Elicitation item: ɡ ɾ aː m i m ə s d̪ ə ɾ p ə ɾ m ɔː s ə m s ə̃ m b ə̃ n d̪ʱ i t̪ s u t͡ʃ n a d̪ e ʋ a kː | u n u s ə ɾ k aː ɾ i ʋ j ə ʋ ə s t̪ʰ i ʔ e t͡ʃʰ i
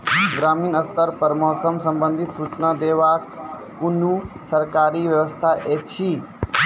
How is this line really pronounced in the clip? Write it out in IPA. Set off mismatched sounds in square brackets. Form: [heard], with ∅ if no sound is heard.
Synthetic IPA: ɡ ɾ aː m i [n] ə s [t̪] ə ɾ p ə ɾ m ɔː s ə m s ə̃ m b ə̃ n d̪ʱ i t̪ s u t͡ʃ n a d̪ e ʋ a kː | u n u s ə ɾ k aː ɾ i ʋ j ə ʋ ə s t̪ʰ [a] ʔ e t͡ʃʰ i